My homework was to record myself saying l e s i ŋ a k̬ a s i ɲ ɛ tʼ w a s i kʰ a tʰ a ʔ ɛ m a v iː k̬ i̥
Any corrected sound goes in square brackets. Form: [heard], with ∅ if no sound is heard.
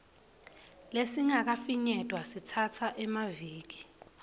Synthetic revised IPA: l e s i ŋ a k̬ a [f] i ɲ ɛ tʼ w a s i [tʰ] a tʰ a ʔ ɛ m a v iː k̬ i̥

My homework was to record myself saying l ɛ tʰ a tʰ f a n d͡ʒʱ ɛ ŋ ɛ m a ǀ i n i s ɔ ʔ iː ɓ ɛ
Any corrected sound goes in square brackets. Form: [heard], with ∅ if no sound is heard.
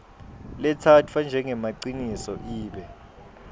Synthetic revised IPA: l ɛ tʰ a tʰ f a n d͡ʒʱ ɛ ŋ ɛ m a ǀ i n i s ɔ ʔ iː ɓ ɛ

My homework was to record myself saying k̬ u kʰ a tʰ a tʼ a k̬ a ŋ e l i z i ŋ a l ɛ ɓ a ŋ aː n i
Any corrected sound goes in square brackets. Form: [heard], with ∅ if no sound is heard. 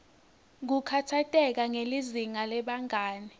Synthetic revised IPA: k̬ u kʰ a tʰ a tʼ [ɛ] k̬ a ŋ e l i z i ŋ a l ɛ ɓ a ŋ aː n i

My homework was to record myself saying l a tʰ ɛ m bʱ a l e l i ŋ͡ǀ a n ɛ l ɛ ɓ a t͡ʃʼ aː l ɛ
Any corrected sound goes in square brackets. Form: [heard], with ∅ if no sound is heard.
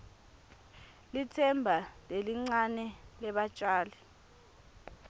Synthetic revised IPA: l [i] tʰ ɛ m bʱ a l e l i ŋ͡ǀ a n ɛ l ɛ ɓ a t͡ʃʼ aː l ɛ

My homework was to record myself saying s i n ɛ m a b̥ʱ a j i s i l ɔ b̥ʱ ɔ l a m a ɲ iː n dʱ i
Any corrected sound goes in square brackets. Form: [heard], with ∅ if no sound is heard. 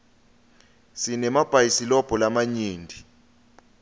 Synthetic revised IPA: s i n ɛ m a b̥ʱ a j i s i l ɔ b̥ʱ ɔ l a m a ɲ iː n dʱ i

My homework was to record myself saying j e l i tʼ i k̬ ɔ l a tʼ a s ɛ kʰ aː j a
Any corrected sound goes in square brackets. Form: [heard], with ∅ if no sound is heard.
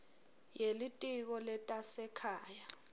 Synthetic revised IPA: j e l i tʼ i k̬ ɔ l [ɛ] tʼ a s ɛ kʰ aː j a

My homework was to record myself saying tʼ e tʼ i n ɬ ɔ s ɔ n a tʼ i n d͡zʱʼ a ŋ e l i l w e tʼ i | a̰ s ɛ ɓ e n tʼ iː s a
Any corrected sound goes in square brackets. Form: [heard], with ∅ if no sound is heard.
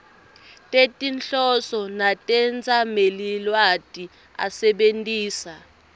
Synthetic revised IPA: tʼ e tʼ i n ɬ ɔ s ɔ n a tʼ [ɛ] n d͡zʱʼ a [m] e l i l w [a] tʼ i | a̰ s ɛ ɓ e n tʼ iː s a

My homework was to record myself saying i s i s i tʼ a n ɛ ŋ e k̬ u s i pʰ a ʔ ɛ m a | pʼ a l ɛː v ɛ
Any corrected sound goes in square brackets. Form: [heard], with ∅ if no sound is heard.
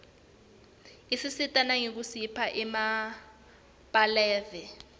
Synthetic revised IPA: i s i s i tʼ a n [a] ŋ e k̬ u s i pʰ a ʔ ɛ m a | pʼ a l ɛː v ɛ

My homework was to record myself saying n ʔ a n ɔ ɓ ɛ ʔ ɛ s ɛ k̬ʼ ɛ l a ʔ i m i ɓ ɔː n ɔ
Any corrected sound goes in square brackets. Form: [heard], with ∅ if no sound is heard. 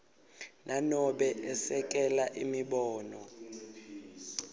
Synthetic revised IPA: n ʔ a n ɔ ɓ ɛ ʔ ɛ s ɛ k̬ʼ ɛ l a ʔ i m i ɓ ɔː n ɔ

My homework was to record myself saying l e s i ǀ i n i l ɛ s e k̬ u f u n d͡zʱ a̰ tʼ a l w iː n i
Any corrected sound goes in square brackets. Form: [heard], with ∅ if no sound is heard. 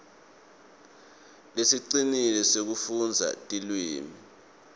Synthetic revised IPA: l e s i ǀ i n i l ɛ s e k̬ u f u n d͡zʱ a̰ tʼ [i] l w iː [m] i

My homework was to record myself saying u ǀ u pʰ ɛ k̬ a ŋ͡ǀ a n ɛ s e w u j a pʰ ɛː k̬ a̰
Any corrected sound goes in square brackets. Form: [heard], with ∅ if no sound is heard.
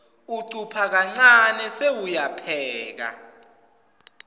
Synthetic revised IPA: u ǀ u pʰ [a] k̬ a ŋ͡ǀ a n ɛ s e w u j a pʰ ɛː k̬ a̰

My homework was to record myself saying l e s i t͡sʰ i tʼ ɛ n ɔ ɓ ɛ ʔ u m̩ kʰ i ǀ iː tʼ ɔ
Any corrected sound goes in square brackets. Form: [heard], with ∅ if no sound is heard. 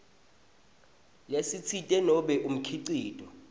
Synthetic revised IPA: l e s i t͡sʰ i tʼ ɛ n ɔ ɓ ɛ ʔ u m̩ kʰ i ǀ iː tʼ ɔ

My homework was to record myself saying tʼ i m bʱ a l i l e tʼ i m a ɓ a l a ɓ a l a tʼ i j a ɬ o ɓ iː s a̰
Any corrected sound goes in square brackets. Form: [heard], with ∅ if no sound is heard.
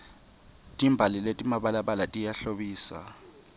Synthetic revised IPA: tʼ i m bʱ a l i l e tʼ i m a ɓ a l a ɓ a l a tʼ i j a ɬ o ɓ iː s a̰

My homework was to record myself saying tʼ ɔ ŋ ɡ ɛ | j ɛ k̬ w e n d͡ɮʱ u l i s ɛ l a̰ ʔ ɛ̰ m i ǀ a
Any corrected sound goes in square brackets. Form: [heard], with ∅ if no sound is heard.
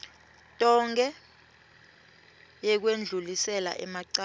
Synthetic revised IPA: tʼ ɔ ŋ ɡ ɛ | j ɛ k̬ w e n d͡ɮʱ u l i s ɛ l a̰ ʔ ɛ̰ m [a] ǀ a

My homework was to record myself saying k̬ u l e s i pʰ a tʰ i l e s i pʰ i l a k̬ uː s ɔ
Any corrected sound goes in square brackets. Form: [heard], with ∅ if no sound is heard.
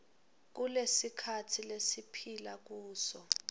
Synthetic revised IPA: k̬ u l e s i [kʰ] a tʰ i l e s i pʰ i l a k̬ uː s ɔ

